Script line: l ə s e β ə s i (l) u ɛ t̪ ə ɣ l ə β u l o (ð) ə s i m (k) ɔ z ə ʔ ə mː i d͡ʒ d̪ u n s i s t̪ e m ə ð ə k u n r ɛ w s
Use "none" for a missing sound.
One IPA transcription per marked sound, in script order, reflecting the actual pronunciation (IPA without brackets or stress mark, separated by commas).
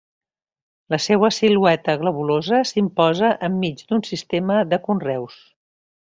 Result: l, z, p